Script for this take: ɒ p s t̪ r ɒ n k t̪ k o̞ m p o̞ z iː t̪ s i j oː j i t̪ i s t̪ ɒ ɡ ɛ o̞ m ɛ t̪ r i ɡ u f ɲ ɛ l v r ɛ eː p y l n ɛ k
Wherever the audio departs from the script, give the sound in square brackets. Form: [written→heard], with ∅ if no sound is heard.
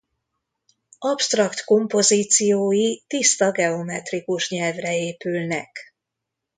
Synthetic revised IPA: ɒ p s t̪ r ɒ [n→∅] k t̪ k o̞ m p o̞ z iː t̪ s i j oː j i t̪ i s t̪ ɒ ɡ ɛ o̞ m ɛ t̪ r i [ɡ→k] u [f→ʃ] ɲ ɛ l v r ɛ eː p y l n ɛ k